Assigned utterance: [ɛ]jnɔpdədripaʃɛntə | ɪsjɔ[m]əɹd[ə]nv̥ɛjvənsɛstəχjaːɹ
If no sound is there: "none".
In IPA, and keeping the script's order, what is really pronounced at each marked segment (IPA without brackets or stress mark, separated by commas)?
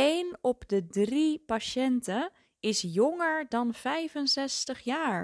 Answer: e, ŋ, ɑ